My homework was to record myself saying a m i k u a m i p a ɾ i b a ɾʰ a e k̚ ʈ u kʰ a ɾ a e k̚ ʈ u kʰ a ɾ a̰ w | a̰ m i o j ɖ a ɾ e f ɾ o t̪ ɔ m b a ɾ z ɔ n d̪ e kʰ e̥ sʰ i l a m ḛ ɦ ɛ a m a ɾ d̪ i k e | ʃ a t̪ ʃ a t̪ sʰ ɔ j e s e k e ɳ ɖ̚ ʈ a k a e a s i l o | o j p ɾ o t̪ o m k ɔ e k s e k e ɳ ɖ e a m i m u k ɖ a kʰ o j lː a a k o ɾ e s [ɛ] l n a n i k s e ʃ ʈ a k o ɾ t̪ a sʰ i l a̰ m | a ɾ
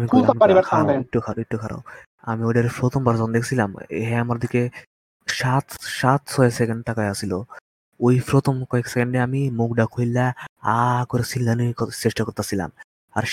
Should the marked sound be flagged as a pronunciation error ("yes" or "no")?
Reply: yes